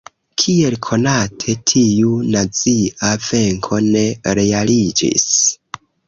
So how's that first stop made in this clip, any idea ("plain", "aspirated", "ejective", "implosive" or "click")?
aspirated